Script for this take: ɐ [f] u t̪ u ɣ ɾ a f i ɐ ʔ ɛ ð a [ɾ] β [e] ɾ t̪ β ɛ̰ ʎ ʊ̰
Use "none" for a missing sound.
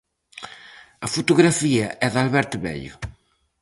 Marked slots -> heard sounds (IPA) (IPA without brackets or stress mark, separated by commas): f, l, ɛ